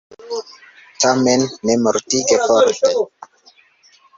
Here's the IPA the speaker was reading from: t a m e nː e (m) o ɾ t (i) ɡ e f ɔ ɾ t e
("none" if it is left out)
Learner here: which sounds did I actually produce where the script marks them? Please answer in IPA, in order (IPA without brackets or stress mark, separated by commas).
m, i